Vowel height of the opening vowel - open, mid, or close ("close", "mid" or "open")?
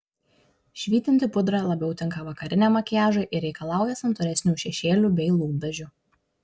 close